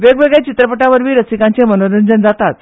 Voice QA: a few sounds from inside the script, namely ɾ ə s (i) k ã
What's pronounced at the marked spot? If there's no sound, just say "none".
i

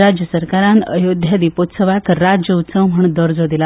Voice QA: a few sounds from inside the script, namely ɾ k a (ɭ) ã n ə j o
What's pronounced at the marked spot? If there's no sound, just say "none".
ɾ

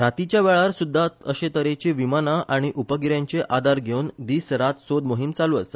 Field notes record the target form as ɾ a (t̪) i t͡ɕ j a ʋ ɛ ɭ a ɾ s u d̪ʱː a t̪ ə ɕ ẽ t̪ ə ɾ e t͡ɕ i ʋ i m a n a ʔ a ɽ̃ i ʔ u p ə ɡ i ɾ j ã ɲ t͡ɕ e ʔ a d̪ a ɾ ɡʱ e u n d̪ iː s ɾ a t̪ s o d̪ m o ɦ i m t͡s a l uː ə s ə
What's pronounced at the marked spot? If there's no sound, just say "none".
t̪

